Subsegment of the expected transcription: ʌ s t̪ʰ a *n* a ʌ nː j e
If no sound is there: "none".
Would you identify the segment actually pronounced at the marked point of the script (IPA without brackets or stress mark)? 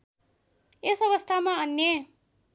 m